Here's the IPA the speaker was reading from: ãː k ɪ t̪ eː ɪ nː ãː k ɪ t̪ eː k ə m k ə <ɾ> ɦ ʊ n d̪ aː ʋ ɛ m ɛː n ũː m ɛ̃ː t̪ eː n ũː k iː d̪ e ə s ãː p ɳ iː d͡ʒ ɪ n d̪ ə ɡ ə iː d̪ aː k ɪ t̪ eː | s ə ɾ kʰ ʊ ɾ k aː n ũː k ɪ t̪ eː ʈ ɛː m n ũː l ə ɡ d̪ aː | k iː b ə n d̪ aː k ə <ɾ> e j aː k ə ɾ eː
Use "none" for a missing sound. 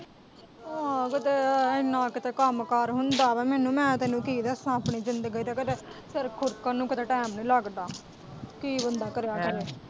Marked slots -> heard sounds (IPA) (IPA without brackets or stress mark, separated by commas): ɾ, ɾ